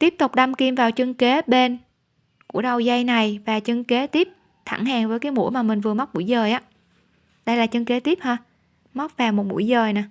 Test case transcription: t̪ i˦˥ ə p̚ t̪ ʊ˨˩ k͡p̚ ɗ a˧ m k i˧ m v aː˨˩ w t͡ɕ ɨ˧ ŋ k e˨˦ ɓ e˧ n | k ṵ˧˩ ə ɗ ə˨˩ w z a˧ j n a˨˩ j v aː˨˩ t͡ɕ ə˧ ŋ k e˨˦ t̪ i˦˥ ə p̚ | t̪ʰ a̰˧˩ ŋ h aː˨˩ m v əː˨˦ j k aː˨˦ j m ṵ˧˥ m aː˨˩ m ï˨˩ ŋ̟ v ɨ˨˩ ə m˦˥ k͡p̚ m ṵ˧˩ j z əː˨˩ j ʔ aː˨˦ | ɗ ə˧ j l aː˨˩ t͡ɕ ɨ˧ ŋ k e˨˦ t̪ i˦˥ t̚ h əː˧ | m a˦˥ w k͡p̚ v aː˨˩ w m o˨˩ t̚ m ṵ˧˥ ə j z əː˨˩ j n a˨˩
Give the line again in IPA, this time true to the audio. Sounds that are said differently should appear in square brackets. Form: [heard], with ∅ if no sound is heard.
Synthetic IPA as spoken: t̪ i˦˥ ə p̚ t̪ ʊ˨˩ k͡p̚ ɗ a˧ m k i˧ m v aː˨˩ w t͡ɕ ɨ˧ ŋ k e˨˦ ɓ e˧ n | k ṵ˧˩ ə ɗ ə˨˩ w z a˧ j n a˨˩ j v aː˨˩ t͡ɕ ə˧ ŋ k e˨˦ t̪ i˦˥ ə p̚ | t̪ʰ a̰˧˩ ŋ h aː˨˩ [ŋ] v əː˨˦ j k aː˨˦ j m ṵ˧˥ m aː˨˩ m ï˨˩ ŋ̟ v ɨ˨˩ ə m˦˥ k͡p̚ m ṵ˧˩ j z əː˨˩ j ʔ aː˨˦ | ɗ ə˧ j l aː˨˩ t͡ɕ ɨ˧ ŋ k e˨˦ t̪ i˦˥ [p̚] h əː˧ | m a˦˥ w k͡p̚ v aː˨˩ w m o˨˩ t̚ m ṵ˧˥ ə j z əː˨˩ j n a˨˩